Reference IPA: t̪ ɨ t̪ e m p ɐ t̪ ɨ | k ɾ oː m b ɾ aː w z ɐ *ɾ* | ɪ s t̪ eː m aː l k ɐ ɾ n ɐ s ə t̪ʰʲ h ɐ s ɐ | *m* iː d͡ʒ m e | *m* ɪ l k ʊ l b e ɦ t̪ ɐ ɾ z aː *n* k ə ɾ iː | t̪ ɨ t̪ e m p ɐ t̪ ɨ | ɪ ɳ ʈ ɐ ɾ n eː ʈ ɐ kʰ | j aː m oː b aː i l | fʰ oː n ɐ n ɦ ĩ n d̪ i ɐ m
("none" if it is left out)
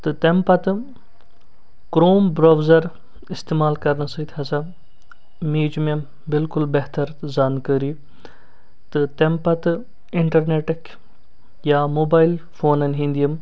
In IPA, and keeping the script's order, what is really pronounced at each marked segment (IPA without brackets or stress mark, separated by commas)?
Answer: ɾ, m, b, n